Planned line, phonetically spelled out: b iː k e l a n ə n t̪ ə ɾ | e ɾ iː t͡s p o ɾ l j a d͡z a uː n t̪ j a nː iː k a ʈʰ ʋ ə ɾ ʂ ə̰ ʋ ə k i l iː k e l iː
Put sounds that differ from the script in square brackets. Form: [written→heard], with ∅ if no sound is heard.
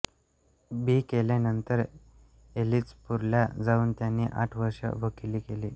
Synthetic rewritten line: b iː k e l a n ə n t̪ ə ɾ | e [ɾ→l] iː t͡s p [o→u] ɾ l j a d͡z a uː n t̪ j a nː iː [k→ʔ] a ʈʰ ʋ ə ɾ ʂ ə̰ ʋ ə k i l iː k e l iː